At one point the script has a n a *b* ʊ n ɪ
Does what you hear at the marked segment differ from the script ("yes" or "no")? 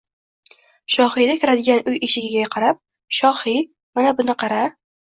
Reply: no